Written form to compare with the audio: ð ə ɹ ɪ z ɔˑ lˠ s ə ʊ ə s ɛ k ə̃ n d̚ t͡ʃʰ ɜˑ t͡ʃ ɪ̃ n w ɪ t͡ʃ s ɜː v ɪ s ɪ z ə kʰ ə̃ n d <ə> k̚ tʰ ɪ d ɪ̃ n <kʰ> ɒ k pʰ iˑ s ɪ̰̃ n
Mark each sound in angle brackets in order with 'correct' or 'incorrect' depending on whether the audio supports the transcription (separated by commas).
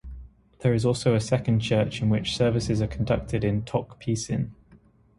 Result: incorrect, incorrect